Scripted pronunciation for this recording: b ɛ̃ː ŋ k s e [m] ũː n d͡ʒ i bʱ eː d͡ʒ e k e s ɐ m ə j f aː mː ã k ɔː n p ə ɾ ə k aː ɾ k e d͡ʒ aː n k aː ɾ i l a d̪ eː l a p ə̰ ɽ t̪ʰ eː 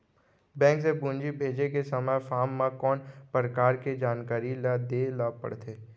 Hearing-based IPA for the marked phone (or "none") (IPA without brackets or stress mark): b